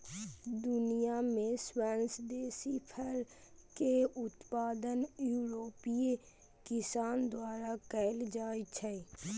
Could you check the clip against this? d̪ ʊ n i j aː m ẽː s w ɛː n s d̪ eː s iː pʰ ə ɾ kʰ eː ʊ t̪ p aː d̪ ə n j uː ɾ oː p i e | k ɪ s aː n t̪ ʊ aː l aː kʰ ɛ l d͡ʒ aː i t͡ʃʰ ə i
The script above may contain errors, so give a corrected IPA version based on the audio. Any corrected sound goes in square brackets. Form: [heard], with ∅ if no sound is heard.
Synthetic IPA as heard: d̪ ʊ n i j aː m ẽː s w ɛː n s d̪ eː s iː pʰ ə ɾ [k] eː ʊ t̪ p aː d̪ ə n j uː ɾ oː p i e | k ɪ s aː n [d̪] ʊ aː [ɾ] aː [k] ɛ l d͡ʒ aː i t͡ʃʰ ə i